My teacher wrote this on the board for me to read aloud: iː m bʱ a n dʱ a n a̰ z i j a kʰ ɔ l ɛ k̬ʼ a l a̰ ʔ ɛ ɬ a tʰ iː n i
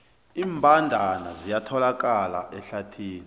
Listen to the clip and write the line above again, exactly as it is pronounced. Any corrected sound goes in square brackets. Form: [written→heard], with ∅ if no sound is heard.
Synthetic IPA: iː m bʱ a n dʱ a n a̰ z i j a [kʰ→tʰ] ɔ l [ɛ→a] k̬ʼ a l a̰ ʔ ɛ ɬ a tʰ iː n i